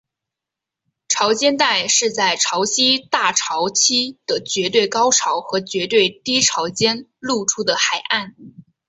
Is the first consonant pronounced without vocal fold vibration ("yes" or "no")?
yes